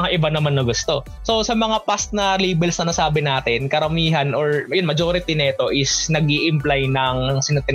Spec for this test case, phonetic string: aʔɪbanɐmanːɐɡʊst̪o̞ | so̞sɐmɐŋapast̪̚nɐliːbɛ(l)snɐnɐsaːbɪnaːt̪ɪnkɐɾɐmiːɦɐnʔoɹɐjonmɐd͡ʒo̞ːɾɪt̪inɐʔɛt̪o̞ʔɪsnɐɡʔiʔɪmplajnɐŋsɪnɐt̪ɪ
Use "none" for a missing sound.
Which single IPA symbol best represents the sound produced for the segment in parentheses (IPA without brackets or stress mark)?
l